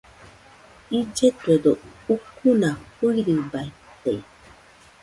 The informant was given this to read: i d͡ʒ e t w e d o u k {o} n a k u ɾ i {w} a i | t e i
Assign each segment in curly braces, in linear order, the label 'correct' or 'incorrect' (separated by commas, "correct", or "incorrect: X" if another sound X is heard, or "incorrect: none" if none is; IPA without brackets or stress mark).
incorrect: u, incorrect: b